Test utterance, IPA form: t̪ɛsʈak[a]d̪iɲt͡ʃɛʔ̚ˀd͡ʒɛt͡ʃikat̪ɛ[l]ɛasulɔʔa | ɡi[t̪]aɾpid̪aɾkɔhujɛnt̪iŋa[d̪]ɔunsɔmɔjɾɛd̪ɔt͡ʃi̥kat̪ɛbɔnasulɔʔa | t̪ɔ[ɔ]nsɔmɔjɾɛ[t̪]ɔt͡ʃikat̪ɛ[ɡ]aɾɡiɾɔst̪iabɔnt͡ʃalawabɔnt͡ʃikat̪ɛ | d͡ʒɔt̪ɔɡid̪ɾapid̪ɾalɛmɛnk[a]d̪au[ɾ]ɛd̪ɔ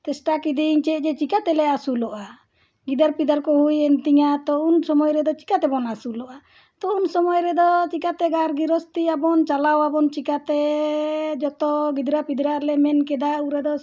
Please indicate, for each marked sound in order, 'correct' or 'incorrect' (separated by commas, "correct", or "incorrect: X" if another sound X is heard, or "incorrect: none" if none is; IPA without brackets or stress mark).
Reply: incorrect: i, correct, incorrect: d̪, incorrect: t̪, incorrect: u, incorrect: d̪, correct, incorrect: ɛ, correct